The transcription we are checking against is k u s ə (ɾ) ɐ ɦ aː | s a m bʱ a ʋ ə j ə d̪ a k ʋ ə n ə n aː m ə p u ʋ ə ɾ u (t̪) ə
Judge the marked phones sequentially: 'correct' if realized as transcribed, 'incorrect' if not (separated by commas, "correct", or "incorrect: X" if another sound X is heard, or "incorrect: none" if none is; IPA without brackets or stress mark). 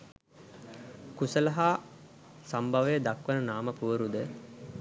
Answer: incorrect: l, incorrect: d̪